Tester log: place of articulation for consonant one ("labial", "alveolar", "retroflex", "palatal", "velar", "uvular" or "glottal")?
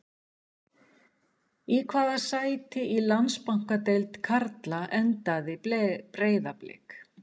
velar